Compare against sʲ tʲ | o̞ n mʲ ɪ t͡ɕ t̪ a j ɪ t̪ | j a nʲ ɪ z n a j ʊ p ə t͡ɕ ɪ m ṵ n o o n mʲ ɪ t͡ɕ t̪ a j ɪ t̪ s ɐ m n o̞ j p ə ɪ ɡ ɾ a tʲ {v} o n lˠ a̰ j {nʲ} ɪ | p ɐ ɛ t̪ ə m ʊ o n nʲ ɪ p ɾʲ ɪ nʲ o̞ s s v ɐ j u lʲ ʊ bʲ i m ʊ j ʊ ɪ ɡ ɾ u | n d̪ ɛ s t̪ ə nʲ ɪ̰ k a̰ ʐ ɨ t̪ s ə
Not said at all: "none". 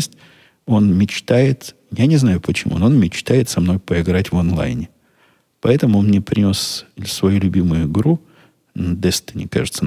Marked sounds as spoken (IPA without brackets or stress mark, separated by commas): v, nʲ